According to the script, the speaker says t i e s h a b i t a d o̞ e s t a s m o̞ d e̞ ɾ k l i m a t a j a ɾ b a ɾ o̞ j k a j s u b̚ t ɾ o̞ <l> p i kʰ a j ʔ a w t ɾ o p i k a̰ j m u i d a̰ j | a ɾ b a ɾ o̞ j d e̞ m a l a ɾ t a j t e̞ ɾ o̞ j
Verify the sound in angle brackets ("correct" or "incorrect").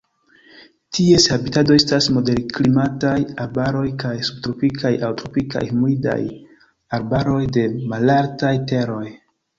incorrect